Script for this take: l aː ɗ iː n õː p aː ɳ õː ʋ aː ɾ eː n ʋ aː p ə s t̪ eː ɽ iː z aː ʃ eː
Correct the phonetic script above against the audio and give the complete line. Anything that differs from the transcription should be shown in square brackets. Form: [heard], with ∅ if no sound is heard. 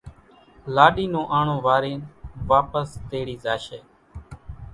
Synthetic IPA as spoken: l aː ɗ iː n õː [ʔ] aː ɳ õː ʋ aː ɾ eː n ʋ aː p ə s t̪ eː ɽ iː z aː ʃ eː